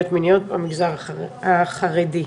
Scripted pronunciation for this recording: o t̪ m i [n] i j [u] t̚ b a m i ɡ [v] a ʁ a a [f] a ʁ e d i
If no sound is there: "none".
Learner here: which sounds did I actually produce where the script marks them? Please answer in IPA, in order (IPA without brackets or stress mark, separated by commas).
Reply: n, o, z, χ